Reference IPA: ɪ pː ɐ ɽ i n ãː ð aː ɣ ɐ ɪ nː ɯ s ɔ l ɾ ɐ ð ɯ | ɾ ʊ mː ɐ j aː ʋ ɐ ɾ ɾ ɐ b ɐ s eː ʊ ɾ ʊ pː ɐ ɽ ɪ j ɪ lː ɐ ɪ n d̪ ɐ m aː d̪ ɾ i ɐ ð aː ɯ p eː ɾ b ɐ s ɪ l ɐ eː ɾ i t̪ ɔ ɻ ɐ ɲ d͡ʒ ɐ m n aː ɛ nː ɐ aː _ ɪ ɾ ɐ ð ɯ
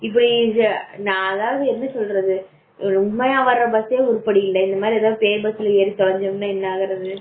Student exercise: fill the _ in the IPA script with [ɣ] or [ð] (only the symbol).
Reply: ɣ